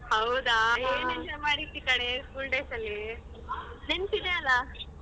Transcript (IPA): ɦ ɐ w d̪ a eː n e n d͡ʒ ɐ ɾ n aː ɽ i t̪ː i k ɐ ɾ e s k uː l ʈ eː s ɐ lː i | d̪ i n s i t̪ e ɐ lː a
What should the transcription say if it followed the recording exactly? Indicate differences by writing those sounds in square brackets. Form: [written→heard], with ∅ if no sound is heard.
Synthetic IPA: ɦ ɐ w d̪ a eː n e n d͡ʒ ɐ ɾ [n→m] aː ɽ i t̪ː i k ɐ [ɾ→ɽ] e s k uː l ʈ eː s ɐ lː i | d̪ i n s i [t̪→d̪] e ɐ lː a